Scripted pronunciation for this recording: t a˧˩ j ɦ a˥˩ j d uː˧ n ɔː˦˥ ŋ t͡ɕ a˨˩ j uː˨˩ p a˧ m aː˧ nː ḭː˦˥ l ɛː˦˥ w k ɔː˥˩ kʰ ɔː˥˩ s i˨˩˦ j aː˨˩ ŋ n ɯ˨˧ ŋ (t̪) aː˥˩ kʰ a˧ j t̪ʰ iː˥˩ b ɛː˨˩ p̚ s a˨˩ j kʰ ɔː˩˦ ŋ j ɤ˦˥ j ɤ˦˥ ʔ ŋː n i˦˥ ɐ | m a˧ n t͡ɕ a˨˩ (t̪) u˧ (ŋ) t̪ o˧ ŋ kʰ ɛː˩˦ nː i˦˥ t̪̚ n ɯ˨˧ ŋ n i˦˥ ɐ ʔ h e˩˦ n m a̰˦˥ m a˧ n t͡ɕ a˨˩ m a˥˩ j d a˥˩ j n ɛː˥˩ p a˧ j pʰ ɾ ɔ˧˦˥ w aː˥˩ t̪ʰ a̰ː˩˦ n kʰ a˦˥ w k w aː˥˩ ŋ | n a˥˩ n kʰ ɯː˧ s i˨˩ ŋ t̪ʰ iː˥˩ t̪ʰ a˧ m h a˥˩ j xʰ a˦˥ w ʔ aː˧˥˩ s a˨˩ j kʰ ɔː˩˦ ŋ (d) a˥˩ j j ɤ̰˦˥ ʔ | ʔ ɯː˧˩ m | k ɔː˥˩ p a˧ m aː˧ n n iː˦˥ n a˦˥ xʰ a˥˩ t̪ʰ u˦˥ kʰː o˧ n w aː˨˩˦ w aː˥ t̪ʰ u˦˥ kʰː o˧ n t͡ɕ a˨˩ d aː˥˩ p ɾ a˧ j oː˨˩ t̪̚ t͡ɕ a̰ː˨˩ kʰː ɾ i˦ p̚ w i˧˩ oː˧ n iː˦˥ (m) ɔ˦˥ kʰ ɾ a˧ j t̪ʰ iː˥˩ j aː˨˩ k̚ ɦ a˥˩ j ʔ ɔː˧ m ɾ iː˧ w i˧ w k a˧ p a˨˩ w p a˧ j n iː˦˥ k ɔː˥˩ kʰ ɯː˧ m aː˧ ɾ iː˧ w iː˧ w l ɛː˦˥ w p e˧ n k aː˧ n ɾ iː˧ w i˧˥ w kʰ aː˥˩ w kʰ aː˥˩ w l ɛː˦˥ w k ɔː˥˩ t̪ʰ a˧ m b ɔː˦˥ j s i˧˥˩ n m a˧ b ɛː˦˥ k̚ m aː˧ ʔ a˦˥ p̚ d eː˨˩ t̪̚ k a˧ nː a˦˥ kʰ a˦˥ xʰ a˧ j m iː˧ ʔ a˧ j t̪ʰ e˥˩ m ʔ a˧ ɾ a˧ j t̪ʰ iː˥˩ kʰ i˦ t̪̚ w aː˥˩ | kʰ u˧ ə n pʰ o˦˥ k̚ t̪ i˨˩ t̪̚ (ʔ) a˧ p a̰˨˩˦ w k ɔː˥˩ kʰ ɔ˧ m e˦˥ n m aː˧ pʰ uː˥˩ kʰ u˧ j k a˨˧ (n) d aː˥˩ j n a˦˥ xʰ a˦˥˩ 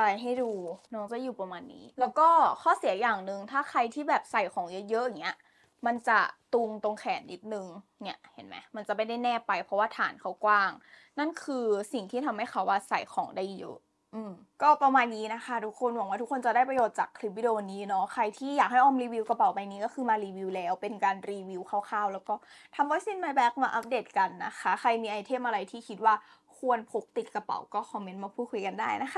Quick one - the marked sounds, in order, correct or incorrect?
incorrect, correct, correct, correct, incorrect, incorrect, correct

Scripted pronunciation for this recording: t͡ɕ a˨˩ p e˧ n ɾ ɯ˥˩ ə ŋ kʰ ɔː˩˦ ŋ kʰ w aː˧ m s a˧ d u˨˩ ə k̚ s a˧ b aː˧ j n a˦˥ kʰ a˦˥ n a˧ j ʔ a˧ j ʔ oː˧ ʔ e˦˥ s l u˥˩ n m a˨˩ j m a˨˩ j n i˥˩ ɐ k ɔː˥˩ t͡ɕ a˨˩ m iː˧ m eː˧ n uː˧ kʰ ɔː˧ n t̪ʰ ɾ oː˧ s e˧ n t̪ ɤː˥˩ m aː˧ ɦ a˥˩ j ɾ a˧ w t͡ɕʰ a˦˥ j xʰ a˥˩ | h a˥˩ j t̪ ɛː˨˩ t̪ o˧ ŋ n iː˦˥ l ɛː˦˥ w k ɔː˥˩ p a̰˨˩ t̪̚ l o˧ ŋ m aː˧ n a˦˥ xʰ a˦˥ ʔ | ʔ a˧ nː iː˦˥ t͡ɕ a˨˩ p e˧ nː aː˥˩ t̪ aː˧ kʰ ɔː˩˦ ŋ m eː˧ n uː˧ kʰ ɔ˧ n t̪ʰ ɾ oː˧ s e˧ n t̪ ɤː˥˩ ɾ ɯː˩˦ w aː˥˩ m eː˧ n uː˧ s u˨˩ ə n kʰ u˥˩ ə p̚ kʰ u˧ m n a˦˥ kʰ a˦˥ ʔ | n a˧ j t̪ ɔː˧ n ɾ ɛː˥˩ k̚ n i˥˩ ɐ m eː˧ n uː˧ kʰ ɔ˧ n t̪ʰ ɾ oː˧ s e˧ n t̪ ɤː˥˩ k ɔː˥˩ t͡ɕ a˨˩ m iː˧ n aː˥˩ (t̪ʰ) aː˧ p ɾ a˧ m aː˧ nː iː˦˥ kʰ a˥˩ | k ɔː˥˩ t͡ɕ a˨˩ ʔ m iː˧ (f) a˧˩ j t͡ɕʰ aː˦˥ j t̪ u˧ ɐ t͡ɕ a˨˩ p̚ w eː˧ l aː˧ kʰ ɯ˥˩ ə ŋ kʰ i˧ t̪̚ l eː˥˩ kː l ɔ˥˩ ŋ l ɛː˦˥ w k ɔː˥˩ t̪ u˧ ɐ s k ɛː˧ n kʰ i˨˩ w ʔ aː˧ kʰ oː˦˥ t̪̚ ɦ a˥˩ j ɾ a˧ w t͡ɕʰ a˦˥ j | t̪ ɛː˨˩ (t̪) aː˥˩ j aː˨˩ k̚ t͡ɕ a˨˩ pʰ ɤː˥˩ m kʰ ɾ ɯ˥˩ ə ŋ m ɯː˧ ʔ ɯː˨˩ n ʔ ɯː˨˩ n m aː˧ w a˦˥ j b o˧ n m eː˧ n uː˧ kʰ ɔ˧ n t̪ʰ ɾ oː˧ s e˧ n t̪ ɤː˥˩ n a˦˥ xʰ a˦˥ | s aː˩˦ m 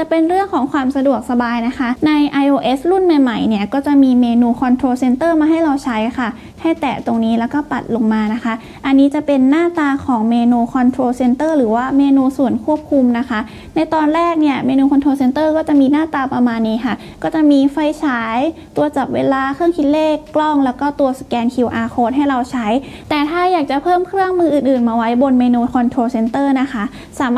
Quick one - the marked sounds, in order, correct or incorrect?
incorrect, correct, incorrect

